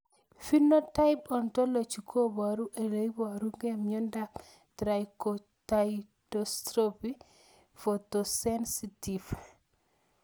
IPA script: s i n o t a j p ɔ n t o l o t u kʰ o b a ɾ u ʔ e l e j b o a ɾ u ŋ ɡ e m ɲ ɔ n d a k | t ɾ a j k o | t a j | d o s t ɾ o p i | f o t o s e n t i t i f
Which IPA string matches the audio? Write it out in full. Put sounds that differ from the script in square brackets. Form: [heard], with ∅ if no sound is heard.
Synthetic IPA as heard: [f] i n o t a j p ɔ n t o l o [t͡ʃ] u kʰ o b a ɾ u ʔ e l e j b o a ɾ u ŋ ɡ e m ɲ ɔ n d a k | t ɾ a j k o | t a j | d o s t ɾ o p i | f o t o s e n [s] i t i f